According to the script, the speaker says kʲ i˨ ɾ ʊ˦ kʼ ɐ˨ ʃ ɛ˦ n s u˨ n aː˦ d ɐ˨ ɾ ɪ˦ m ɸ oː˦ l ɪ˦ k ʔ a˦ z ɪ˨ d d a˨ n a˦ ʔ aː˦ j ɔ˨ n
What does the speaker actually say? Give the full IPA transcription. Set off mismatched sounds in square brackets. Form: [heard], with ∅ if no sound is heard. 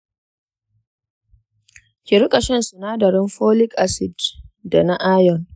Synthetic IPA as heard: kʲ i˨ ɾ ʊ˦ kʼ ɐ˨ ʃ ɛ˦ n s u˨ n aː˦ d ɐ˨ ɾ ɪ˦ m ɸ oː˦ l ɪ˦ k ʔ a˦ [s] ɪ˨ d d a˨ n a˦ ʔ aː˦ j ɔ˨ n

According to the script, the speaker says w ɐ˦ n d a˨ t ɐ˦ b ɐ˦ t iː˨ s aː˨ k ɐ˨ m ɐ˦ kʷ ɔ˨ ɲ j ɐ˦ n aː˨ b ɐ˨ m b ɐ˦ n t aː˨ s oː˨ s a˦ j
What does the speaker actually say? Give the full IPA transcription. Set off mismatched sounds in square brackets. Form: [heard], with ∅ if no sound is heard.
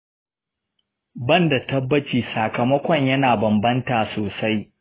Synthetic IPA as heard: [b] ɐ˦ n d a˨ t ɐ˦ [bː] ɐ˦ [t͡ʃ] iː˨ s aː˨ k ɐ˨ m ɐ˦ kʷ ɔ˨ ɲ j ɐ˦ n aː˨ b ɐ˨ m b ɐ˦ n t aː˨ s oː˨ s a˦ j

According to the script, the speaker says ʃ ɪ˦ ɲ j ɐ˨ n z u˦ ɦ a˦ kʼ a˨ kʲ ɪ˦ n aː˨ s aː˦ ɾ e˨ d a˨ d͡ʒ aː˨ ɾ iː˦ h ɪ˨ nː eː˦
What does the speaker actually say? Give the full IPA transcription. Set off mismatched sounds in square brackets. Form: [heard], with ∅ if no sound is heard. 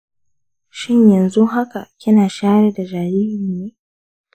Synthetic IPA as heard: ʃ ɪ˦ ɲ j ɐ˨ n z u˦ ɦ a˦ [k] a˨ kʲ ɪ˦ n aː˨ [ʃ] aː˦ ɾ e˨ d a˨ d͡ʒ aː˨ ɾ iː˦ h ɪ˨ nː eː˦

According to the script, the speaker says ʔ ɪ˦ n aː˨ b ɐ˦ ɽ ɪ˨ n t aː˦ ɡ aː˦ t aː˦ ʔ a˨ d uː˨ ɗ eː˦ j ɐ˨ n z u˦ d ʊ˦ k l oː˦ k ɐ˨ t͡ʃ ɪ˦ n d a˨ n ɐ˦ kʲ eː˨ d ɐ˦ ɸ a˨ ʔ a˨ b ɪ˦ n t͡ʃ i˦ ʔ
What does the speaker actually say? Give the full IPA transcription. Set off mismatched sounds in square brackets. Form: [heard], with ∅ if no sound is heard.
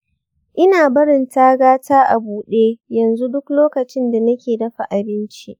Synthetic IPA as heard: ʔ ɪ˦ n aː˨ b ɐ˦ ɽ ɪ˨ n t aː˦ ɡ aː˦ t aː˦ ʔ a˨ [b] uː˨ ɗ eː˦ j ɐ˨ n z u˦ d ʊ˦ k l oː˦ k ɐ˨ t͡ʃ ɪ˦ n d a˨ n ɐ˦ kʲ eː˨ d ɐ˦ ɸ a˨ ʔ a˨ b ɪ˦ n t͡ʃ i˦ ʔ

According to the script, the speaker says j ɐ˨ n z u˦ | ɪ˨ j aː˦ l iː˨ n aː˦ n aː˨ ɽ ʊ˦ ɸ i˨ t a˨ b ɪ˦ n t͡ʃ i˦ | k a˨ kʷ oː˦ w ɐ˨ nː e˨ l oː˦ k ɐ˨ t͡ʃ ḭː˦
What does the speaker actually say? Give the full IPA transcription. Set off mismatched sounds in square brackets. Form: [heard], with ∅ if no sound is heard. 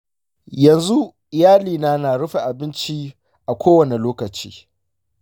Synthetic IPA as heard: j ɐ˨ n z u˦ | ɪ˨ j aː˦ l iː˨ n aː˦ n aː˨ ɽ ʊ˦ ɸ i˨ [ʔ] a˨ b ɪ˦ n t͡ʃ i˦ | [ʔ] a˨ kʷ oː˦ w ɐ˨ [n] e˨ l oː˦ k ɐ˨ t͡ʃ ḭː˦

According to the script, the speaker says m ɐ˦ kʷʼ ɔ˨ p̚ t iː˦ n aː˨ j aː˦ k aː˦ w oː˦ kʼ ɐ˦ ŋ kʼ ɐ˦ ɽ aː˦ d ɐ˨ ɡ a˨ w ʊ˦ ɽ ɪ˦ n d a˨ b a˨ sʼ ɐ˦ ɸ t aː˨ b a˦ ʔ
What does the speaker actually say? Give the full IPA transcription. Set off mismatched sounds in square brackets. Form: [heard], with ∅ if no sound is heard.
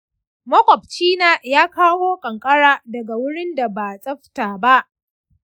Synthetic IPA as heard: m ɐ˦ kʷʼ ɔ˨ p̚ [t͡ʃ] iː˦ n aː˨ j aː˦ k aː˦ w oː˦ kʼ [ɐ˨] ŋ kʼ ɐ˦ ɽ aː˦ d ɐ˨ ɡ a˨ w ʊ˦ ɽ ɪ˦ n d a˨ b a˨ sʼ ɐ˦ ɸ t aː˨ b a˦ ʔ

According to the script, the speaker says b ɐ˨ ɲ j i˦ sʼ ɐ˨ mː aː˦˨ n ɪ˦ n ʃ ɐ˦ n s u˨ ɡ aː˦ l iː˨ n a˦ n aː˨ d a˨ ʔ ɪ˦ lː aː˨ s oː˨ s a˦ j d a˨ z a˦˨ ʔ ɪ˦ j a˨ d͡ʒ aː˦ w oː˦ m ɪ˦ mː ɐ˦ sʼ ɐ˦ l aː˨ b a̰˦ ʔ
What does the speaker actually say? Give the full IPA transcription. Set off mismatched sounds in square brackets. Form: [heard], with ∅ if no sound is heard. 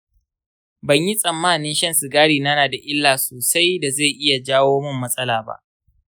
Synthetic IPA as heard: b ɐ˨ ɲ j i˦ sʼ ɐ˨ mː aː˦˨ n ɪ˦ n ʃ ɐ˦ n s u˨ ɡ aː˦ [ɽ] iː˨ n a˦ n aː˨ d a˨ ʔ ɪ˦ lː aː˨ s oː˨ s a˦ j d a˨ z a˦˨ ʔ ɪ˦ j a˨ d͡ʒ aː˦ w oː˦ m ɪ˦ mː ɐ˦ sʼ ɐ˦ l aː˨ b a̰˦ ʔ

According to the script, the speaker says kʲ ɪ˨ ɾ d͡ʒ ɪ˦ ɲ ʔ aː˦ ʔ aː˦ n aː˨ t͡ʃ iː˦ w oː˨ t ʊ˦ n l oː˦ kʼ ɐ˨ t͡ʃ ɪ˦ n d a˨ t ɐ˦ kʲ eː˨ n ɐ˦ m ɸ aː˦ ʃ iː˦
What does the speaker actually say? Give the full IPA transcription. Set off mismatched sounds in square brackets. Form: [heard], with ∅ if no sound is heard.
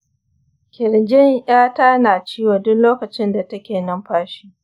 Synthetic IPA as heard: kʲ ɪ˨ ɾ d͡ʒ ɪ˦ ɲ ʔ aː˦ [t] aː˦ n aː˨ t͡ʃ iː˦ w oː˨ [d] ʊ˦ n l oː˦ [k] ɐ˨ t͡ʃ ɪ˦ n d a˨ t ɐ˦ kʲ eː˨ n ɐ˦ m ɸ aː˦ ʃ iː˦

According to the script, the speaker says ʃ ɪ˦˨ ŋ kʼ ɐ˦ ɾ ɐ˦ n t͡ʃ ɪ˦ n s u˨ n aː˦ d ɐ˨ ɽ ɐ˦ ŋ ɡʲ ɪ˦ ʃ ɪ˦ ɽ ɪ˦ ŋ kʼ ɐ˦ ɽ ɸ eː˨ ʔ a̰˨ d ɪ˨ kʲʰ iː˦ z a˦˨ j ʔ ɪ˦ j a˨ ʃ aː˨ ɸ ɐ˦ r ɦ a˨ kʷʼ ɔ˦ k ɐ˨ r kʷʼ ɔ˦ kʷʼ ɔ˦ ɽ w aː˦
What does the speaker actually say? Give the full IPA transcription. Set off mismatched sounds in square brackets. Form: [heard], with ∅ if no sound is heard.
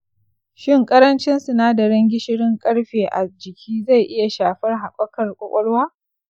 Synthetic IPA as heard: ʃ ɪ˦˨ ŋ kʼ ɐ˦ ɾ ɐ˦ n t͡ʃ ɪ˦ n s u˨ n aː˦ d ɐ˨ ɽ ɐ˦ ŋ ɡʲ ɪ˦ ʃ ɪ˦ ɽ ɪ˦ ŋ kʼ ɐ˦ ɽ ɸ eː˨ ʔ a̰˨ [d͡ʒ] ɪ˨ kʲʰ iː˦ z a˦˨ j ʔ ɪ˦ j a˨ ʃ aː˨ ɸ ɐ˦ r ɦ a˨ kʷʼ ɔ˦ k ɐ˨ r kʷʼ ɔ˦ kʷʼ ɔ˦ ɽ w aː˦

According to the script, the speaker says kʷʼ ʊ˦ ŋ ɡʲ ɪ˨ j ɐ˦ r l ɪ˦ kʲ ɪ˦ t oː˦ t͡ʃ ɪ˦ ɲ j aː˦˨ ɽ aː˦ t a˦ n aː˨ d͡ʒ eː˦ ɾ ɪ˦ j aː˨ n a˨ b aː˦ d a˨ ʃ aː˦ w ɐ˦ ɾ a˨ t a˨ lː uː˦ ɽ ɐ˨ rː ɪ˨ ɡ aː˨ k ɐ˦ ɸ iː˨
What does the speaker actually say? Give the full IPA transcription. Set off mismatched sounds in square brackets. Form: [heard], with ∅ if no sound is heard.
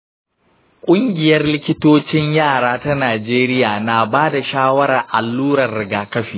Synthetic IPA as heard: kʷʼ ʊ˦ ŋ ɡʲ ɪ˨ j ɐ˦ r l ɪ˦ kʲ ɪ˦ t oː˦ t͡ʃ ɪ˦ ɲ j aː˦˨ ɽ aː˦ t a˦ n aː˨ d͡ʒ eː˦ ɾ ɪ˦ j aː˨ n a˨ b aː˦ d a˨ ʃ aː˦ w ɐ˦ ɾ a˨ [ʔ] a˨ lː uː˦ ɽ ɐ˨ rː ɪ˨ ɡ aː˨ k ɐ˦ ɸ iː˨

